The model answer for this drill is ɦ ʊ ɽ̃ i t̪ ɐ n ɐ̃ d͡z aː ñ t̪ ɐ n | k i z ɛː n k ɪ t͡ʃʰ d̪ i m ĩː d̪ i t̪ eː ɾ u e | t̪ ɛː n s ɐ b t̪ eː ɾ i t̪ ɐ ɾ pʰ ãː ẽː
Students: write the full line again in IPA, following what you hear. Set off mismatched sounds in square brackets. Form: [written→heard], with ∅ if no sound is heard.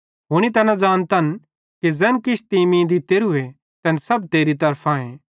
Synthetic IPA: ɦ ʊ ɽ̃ i t̪ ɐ n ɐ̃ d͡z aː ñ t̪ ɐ n | k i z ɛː n k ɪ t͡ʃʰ [d̪→t̪] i m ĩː d̪ i t̪ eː ɾ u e | t̪ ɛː n s ɐ b t̪ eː ɾ i t̪ ɐ ɾ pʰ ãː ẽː